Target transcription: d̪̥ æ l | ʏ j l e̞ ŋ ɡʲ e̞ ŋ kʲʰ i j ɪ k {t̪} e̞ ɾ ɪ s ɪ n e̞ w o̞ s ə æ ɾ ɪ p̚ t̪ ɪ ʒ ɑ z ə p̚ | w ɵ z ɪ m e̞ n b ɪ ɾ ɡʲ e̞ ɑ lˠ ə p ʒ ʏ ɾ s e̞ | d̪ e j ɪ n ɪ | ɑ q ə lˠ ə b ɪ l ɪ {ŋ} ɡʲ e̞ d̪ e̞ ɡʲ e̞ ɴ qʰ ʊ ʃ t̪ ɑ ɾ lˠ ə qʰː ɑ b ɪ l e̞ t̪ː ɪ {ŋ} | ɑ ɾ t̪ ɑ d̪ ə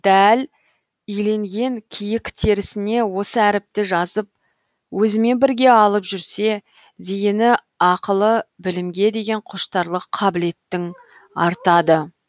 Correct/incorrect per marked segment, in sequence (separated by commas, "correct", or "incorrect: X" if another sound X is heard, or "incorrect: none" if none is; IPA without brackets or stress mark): incorrect: t̪ʰ, incorrect: m, correct